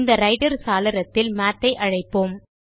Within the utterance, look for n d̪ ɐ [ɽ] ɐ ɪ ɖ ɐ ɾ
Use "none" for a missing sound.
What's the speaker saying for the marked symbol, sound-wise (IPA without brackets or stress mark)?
ɾ